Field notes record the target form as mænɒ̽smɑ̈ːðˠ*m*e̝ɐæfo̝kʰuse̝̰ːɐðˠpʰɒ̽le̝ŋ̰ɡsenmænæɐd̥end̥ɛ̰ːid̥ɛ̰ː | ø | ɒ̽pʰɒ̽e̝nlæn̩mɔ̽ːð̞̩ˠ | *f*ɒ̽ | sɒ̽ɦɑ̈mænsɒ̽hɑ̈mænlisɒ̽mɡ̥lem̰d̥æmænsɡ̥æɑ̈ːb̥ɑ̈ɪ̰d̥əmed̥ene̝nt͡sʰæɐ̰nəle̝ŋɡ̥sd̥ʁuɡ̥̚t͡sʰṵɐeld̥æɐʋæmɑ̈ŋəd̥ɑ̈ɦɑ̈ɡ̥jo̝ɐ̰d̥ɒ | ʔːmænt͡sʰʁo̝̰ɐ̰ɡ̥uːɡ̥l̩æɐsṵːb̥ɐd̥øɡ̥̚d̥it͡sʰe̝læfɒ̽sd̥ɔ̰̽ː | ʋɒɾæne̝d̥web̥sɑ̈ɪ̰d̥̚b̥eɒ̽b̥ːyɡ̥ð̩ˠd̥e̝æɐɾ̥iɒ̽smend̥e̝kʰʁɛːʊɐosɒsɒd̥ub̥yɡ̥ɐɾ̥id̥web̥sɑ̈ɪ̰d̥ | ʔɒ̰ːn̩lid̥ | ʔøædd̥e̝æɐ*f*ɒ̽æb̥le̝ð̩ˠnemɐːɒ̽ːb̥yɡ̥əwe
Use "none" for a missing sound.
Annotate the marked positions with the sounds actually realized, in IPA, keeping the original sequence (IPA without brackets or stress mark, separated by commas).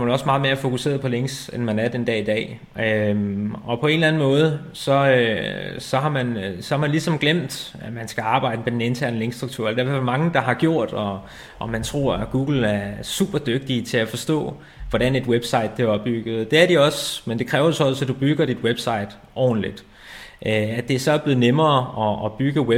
m, s, s